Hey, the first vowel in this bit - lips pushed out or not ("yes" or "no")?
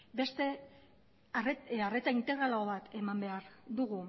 no